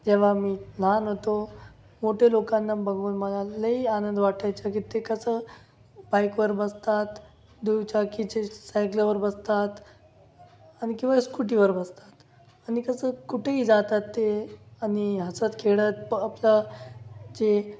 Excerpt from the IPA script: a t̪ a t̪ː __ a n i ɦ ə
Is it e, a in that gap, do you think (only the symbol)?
e